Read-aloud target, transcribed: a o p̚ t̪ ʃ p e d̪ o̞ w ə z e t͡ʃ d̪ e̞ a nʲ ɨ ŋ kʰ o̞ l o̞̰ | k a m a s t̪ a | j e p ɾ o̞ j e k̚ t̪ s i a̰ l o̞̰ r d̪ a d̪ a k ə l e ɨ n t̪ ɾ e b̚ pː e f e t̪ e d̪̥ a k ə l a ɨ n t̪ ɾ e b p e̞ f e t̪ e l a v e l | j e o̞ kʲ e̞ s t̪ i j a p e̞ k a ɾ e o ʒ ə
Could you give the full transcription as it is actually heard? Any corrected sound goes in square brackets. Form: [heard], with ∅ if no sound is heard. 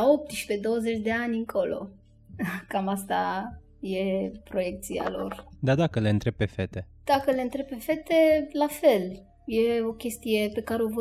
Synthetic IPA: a o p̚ t̪ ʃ p e d̪ o̞ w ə z e t͡ʃ d̪ e̞ a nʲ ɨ ŋ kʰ o̞ l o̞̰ | k a m a s t̪ a | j e p ɾ o̞ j e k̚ t̪ s i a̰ l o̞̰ r d̪ a d̪ a k ə l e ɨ n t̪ ɾ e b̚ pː e f e t̪ e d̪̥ a k ə l [e] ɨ n t̪ ɾ e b p e̞ f e t̪ e l a [f] e l | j e o̞ kʲ e̞ s t̪ i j [e] p e̞ k a ɾ e o [v] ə